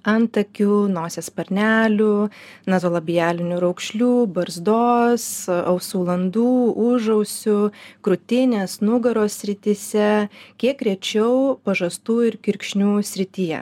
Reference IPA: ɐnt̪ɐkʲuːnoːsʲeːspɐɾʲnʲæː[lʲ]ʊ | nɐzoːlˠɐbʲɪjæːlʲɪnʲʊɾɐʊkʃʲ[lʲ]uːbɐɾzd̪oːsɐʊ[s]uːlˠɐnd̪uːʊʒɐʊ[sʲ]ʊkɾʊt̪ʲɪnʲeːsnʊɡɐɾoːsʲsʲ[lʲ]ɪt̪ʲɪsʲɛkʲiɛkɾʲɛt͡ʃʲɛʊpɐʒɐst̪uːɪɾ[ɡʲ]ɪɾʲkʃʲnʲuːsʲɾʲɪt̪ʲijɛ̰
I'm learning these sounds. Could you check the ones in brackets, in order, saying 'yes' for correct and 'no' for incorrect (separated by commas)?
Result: yes, yes, yes, yes, no, no